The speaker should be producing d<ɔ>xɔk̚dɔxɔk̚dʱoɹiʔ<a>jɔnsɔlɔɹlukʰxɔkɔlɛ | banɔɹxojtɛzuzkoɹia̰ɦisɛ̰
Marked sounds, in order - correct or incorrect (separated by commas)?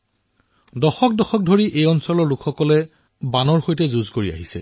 correct, incorrect